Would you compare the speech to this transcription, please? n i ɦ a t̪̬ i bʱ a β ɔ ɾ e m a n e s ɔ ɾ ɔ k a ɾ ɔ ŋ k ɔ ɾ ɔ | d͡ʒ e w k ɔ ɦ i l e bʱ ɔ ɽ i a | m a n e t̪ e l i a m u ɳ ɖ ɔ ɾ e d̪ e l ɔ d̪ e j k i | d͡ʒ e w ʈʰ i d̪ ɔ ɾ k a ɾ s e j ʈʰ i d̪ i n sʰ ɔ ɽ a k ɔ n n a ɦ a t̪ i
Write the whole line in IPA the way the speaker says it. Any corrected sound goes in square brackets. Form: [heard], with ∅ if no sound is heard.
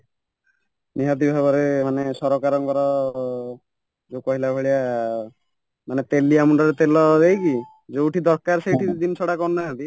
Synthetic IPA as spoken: n i ɦ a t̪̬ i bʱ a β ɔ ɾ e m a n e s ɔ ɾ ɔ k a ɾ ɔ ŋ k ɔ ɾ ɔ | d͡ʒ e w k ɔ ɦ i l [a] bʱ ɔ [ɭ] i a | m a n e t̪ e l i a m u ɳ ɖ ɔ ɾ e [t̪] e l ɔ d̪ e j k i | d͡ʒ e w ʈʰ i d̪ ɔ ɾ k a ɾ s e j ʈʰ i d̪ i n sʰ ɔ ɽ a k ɔ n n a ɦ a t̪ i